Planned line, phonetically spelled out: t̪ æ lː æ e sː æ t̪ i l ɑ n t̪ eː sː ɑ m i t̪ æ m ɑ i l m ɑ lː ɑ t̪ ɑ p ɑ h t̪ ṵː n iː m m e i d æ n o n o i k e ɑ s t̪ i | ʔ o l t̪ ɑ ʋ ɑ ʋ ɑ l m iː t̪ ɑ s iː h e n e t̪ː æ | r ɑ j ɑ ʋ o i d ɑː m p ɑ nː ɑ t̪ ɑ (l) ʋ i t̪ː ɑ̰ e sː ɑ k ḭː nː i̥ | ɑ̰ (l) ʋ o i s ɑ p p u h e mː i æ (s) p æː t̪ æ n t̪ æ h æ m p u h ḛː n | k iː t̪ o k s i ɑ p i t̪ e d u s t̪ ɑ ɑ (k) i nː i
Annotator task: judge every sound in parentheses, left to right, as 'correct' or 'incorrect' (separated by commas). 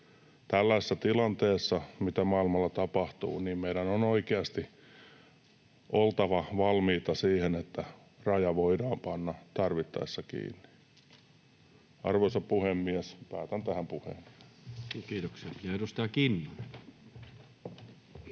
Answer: incorrect, incorrect, correct, correct